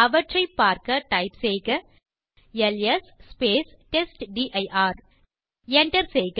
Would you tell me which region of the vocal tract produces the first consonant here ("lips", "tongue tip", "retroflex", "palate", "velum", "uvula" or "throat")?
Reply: lips